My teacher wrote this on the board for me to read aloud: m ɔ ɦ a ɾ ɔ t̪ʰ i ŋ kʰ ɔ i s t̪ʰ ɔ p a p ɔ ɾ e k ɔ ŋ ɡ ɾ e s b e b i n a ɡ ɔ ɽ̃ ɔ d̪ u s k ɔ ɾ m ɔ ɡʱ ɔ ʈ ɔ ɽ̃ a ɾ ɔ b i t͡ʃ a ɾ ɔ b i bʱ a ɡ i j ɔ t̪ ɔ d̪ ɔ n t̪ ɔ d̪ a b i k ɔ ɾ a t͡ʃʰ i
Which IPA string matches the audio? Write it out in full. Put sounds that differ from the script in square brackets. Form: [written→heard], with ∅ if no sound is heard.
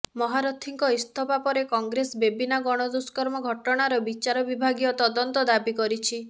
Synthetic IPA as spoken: m ɔ ɦ a ɾ ɔ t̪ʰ i ŋ [kʰ→k] ɔ i s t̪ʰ ɔ p a p ɔ ɾ e k ɔ ŋ ɡ ɾ e s b e b i n a ɡ ɔ ɽ̃ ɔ d̪ u s k ɔ ɾ m ɔ ɡʱ ɔ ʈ ɔ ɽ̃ a ɾ ɔ b i t͡ʃ a ɾ ɔ b i bʱ a ɡ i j ɔ t̪ ɔ d̪ ɔ n t̪ ɔ d̪ a b i k ɔ ɾ [a→i] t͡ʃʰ i